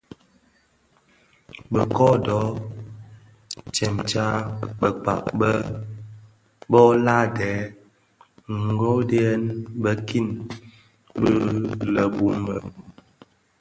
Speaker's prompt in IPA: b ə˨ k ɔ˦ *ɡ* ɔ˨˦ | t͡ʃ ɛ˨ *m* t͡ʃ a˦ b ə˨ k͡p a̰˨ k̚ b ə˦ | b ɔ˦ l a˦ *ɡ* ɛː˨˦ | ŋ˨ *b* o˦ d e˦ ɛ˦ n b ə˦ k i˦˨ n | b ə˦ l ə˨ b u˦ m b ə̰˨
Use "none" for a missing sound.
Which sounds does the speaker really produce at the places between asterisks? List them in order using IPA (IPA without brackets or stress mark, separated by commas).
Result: d, m, d, ɡ